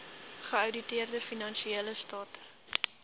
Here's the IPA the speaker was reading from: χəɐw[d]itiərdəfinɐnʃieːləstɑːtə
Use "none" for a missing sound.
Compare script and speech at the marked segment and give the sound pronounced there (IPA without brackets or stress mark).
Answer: d